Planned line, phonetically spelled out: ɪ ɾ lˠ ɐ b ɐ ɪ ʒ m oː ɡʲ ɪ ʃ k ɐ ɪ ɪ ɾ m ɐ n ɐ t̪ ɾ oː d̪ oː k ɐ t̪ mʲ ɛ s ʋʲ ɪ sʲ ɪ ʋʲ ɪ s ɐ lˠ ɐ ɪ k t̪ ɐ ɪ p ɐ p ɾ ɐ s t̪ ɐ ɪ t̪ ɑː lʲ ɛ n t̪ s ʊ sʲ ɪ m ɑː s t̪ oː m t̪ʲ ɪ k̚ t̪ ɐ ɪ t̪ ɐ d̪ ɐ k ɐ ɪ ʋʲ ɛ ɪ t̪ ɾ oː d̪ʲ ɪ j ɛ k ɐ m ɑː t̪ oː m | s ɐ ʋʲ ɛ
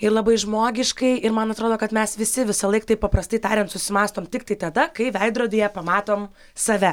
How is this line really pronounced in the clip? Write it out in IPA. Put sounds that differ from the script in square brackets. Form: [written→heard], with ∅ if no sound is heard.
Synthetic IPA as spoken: ɪ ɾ lˠ ɐ b ɐ ɪ ʒ m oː ɡʲ ɪ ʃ k ɐ ɪ ɪ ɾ m ɐ n ɐ t̪ ɾ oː d̪ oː k ɐ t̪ mʲ ɛ s ʋʲ ɪ sʲ ɪ ʋʲ ɪ s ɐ lˠ ɐ ɪ k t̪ ɐ ɪ p ɐ p ɾ ɐ s t̪ ɐ ɪ t̪ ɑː [lʲ→ɾʲ] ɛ n t̪ s ʊ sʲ ɪ m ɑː s t̪ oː m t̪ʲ ɪ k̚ t̪ ɐ ɪ t̪ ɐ d̪ ɐ k ɐ ɪ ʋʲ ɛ ɪ [t̪→d̪] ɾ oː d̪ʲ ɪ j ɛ [k→p] ɐ m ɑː t̪ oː m | s ɐ ʋʲ ɛ